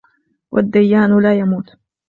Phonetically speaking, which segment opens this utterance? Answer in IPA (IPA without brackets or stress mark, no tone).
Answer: w